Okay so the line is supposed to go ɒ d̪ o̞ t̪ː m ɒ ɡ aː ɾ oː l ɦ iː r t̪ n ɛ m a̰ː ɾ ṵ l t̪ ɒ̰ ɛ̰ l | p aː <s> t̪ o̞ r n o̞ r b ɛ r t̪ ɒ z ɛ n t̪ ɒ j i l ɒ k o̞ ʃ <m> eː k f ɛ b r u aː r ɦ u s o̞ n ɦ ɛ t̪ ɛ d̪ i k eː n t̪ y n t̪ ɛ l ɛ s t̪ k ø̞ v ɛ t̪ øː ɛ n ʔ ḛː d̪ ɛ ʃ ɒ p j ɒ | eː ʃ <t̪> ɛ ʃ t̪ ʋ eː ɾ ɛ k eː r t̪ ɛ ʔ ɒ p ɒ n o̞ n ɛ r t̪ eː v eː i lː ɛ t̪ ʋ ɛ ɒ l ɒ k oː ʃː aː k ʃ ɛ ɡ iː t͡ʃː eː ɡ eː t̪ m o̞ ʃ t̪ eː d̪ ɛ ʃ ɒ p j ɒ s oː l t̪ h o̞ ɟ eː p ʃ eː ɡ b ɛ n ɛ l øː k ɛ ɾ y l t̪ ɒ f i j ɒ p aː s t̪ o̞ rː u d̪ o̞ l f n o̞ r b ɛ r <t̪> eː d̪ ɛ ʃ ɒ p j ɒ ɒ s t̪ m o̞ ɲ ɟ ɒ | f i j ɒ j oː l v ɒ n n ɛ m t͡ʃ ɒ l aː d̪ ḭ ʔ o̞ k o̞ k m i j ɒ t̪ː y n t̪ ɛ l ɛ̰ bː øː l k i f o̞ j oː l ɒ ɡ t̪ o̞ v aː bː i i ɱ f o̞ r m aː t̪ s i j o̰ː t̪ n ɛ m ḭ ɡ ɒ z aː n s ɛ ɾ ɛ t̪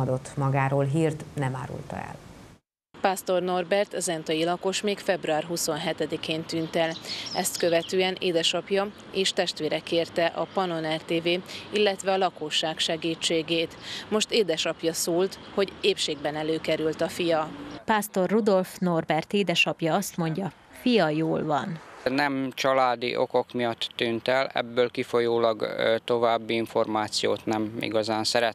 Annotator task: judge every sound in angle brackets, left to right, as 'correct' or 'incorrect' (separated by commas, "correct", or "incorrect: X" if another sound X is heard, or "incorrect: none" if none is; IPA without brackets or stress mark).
correct, correct, correct, correct